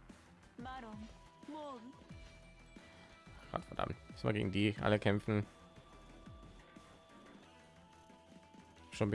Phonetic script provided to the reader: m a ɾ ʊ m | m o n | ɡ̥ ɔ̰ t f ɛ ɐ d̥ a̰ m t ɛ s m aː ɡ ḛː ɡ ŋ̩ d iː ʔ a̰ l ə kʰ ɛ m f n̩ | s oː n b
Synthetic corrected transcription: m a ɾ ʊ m | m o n | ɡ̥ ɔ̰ t f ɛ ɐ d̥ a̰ m t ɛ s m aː ɡ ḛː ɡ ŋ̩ d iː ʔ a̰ l ə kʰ ɛ m f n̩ | ʃ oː n b